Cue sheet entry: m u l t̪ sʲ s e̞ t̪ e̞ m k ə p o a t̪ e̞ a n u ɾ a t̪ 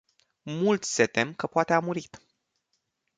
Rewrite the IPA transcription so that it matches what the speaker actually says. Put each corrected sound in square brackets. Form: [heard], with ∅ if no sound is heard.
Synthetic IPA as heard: m u l t̪ sʲ s e̞ t̪ e̞ m k ə p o a t̪ e̞ a [m] u ɾ [i] t̪